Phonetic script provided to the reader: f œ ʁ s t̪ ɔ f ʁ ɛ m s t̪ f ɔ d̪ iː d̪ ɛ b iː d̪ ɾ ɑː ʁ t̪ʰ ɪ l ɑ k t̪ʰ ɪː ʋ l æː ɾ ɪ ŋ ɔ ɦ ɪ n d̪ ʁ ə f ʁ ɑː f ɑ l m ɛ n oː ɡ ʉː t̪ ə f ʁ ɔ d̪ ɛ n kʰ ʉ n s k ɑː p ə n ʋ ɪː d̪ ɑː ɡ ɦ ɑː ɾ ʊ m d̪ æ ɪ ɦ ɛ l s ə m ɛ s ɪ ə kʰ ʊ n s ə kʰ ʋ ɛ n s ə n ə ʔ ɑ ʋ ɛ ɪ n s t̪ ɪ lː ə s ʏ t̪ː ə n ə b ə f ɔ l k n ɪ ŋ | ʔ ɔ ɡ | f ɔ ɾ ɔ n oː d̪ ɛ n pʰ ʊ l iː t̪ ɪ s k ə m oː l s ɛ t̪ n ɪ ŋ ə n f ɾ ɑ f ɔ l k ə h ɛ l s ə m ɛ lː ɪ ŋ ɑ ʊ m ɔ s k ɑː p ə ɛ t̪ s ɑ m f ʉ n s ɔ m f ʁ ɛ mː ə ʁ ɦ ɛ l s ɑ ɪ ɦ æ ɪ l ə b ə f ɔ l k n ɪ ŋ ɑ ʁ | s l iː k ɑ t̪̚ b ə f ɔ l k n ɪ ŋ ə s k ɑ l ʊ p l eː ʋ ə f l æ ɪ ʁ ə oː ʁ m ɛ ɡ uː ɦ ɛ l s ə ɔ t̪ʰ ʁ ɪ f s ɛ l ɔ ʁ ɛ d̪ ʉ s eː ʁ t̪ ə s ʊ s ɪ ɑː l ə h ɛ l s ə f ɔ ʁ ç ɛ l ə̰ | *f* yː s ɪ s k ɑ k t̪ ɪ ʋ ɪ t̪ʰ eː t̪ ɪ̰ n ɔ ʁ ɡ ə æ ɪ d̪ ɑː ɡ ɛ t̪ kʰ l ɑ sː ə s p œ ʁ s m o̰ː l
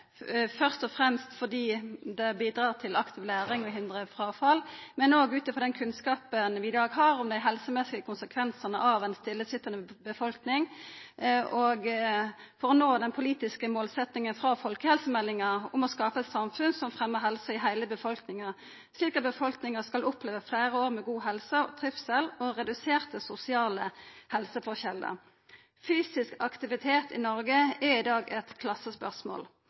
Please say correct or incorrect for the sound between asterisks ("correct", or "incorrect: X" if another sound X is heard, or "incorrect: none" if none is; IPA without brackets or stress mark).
correct